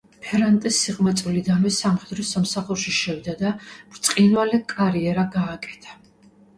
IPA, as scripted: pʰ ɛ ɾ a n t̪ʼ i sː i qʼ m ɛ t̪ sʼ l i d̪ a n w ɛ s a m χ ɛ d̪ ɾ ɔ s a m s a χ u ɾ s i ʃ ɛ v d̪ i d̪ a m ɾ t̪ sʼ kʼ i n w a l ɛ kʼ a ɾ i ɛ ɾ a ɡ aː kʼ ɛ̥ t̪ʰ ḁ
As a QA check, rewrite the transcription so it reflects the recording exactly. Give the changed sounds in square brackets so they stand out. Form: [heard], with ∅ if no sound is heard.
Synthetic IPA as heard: pʰ ɛ ɾ a n t̪ʼ i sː i qʼ m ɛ t̪ sʼ l i d̪ a n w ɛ s a m χ ɛ d̪ ɾ ɔ s a m s a χ u ɾ [ʃ] i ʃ ɛ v d̪ [a] d̪ a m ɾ t̪ sʼ [qʼ] i n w a l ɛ kʼ a ɾ i ɛ ɾ a ɡ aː kʼ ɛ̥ t̪ʰ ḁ